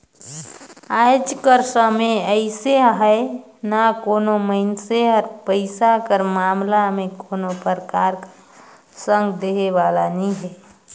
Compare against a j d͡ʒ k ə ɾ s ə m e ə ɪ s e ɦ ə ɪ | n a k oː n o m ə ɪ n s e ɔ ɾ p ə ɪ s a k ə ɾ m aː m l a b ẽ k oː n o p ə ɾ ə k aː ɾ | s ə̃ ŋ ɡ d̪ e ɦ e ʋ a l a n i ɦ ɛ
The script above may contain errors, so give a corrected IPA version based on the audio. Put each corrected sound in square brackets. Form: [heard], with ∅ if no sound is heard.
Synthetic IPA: a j d͡ʒ k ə ɾ s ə m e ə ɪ s e ɦ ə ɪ | n a k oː n o m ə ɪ n s e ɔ ɾ p ə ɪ s a k ə ɾ m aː m l a [m] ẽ k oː n o p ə ɾ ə k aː ɾ | s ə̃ ŋ ɡ d̪ e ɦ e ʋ a l a n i ɦ ɛ